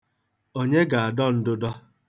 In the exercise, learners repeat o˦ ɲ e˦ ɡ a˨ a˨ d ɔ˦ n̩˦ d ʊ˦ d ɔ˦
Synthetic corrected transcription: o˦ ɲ e˦ ɡ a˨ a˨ d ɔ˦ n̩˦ d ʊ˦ d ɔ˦